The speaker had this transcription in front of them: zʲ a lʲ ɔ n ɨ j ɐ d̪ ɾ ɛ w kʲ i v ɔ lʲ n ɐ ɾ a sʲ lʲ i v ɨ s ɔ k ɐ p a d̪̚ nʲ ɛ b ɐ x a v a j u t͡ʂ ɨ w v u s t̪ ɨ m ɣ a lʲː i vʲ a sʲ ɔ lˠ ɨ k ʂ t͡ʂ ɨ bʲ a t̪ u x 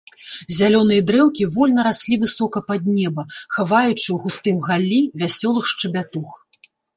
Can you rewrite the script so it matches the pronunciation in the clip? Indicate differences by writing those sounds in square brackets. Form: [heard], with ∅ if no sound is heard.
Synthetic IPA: zʲ a lʲ ɔ n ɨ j ɐ d̪ ɾ ɛ w kʲ i v ɔ lʲ n ɐ ɾ a sʲ lʲ i v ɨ s ɔ k ɐ p a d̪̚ nʲ ɛ b ɐ x a v a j u t͡ʂ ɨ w [ɣ] u s t̪ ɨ m ɣ a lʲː i vʲ a sʲ ɔ lˠ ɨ [x] ʂ t͡ʂ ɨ bʲ a t̪ u x